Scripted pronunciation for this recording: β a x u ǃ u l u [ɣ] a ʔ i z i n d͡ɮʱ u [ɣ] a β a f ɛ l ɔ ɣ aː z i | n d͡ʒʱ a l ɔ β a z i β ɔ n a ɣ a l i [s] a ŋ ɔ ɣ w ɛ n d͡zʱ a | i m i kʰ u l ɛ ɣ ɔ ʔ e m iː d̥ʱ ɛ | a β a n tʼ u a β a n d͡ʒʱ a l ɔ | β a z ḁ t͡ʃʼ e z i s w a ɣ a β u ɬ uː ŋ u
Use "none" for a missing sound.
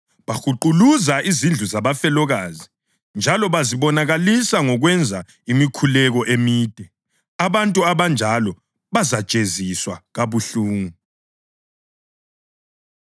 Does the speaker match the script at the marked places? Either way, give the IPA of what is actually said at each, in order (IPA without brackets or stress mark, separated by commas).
z, z, s